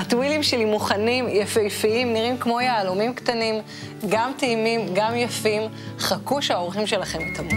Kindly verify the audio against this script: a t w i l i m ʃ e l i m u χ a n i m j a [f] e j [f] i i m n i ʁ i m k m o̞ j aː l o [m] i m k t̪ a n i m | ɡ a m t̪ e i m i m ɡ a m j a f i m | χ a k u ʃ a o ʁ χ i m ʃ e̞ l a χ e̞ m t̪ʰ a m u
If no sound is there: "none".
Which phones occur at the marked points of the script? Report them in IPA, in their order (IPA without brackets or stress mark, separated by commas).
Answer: f, f, m